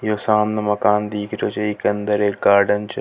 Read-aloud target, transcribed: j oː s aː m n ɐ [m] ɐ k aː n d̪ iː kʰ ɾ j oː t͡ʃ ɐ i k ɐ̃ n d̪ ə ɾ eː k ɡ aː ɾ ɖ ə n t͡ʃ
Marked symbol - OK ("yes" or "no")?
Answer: yes